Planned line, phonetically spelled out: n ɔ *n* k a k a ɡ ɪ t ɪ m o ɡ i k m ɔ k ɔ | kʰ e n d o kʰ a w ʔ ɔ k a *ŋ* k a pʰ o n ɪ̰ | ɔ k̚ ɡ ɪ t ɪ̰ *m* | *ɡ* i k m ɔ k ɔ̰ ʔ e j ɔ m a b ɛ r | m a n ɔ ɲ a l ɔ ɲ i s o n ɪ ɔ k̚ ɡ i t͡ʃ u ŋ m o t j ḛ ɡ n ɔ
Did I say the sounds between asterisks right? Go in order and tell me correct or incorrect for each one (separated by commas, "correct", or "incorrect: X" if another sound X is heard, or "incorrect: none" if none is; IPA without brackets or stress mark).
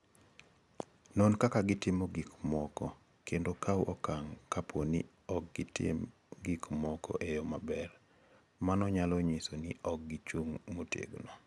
correct, correct, correct, correct